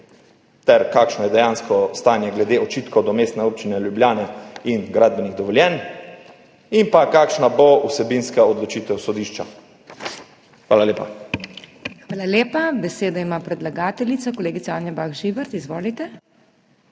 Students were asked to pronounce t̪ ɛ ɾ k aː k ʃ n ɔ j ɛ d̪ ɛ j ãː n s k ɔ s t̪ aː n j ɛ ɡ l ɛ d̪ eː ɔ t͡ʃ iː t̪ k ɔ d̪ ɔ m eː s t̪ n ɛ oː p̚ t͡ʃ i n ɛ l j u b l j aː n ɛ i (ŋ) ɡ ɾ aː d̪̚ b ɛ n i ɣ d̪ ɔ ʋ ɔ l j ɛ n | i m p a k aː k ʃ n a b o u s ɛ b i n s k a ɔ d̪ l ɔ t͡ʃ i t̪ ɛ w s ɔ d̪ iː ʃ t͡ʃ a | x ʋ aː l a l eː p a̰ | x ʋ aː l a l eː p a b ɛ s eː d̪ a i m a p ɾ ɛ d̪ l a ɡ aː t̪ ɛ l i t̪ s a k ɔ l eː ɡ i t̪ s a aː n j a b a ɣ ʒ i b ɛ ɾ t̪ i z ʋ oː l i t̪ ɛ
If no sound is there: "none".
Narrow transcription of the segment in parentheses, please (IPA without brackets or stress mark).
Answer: n